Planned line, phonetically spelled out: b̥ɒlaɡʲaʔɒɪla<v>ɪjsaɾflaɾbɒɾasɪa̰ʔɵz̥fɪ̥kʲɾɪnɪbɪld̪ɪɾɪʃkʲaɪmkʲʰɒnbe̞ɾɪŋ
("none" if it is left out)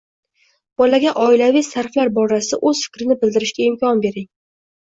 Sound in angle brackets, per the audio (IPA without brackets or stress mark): v